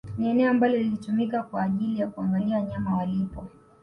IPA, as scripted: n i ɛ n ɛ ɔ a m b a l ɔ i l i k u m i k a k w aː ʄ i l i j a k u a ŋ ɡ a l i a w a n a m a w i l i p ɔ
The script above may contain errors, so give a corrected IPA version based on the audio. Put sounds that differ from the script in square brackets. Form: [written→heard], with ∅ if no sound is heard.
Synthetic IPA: n i ɛ n ɛ ɔ a m b a l ɔ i l i [k→t] u m i k a k w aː ʄ i l i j a k u a ŋ ɡ a l i a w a [n→ɲ] a m a w [i→a] l i p ɔ